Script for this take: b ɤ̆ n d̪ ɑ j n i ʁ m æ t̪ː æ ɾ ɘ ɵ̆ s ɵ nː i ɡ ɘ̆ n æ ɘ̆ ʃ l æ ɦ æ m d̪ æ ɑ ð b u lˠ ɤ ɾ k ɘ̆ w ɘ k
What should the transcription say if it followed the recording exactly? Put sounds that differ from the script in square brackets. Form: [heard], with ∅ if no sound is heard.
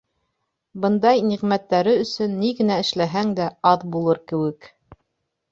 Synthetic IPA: b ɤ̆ n d̪ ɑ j n i ʁ m æ t̪ː æ ɾ ɘ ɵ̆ s ɵ nː i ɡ ɘ̆ n æ ɘ̆ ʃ l æ ɦ æ [ŋ] d̪ æ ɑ ð b u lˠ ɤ ɾ k ɘ̆ w ɘ k